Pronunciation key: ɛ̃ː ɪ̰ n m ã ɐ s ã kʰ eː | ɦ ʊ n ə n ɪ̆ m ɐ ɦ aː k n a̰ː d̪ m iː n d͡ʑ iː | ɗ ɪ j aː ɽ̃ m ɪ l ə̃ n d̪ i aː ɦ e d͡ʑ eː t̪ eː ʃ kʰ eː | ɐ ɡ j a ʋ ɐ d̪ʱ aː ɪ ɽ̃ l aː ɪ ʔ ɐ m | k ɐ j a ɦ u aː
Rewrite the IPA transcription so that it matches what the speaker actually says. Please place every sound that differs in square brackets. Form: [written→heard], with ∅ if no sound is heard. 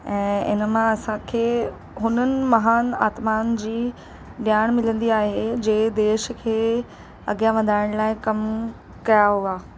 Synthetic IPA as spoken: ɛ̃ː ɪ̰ n m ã ɐ s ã kʰ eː | ɦ ʊ n ə n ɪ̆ m ɐ ɦ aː [k→∅] n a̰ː [d̪→t̪] m [iː→aː] n d͡ʑ iː | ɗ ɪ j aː ɽ̃ m ɪ l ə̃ n d̪ i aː ɦ e d͡ʑ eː [t̪→d̪] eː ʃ kʰ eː | ɐ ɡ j a ʋ ɐ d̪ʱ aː ɪ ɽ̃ l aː ɪ [ʔ→k] ɐ m | k ɐ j a ɦ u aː